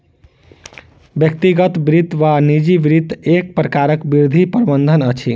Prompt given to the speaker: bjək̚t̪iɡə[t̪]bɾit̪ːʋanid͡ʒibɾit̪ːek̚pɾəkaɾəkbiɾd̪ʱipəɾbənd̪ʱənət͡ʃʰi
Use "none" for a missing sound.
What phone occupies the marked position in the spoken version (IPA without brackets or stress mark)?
t̪